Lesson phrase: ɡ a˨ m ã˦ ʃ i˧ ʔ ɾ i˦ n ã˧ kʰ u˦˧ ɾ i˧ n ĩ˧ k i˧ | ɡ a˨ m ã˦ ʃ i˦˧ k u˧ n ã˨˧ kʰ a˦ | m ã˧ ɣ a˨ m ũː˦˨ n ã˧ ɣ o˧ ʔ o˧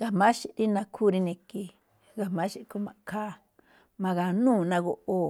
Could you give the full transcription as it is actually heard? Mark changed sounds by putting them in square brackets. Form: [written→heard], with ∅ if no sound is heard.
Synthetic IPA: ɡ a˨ m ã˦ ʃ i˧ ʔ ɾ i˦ n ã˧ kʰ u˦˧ ɾ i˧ n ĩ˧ k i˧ | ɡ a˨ m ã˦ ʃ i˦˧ k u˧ [n→m] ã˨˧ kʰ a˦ | m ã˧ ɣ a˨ [m→n] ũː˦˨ n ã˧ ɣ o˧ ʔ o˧